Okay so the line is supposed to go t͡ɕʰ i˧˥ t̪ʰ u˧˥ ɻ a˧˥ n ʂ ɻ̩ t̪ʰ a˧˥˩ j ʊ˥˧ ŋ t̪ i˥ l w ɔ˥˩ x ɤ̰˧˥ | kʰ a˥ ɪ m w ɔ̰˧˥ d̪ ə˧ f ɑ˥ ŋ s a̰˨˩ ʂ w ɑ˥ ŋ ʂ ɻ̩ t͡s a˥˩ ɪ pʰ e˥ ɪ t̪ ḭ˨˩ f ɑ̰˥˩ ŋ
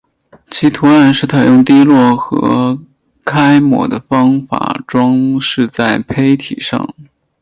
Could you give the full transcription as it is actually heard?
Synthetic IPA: t͡ɕʰ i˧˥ t̪ʰ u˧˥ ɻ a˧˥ n ʂ ɻ̩ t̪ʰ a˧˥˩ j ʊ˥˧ ŋ t̪ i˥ l w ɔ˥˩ x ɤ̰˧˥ | kʰ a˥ ɪ m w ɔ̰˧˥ d̪ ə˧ f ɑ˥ ŋ f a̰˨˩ ʈ͡ʂ w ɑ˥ ŋ ʂ ɻ̩ t͡s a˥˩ ɪ pʰ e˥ ɪ t̪ʰ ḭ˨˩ ʂ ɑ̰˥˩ ŋ